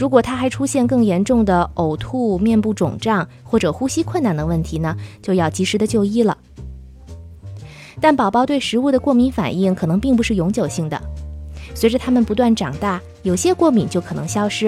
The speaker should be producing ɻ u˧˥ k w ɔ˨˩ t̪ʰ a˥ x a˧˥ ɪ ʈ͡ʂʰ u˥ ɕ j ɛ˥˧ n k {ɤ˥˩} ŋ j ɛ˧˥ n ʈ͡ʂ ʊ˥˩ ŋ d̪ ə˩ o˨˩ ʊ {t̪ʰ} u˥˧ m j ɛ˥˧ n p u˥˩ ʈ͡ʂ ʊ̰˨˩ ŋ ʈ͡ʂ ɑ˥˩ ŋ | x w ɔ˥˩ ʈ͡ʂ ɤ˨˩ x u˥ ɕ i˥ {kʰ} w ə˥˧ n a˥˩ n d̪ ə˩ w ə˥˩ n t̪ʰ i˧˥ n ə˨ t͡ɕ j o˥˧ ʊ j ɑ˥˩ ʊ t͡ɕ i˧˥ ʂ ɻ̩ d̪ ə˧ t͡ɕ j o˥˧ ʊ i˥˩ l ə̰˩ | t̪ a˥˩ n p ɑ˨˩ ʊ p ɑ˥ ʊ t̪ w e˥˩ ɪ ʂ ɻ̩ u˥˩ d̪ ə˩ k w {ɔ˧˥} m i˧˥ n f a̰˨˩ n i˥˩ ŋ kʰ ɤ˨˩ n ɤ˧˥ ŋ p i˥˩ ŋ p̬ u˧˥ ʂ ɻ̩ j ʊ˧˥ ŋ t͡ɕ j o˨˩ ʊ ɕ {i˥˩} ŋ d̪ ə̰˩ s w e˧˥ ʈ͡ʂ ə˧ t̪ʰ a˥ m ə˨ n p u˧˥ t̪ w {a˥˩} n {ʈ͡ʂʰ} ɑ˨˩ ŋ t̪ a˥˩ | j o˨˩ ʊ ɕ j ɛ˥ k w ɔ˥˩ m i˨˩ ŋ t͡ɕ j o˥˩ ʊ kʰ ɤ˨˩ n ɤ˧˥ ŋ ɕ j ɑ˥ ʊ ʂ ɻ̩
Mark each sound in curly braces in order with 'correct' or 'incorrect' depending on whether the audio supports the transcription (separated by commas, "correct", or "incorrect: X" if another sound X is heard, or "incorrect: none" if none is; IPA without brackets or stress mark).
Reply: correct, correct, correct, incorrect: ɔ˥˩, correct, correct, incorrect: ʈ͡ʂ